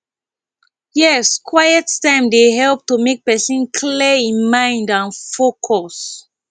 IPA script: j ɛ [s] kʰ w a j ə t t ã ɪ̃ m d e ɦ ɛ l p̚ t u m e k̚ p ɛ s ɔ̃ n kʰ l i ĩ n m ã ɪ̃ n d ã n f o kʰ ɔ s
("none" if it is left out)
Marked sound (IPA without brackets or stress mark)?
s